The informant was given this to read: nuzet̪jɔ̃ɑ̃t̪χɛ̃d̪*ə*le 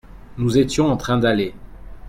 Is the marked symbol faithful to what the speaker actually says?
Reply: no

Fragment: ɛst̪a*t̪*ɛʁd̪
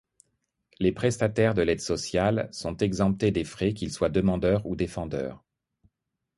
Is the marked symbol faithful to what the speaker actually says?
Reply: yes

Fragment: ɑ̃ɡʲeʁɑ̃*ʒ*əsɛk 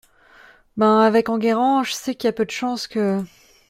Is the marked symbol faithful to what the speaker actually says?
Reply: yes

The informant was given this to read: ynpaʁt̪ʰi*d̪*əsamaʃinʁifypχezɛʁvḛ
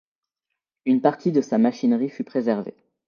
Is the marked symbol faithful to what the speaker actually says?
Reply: yes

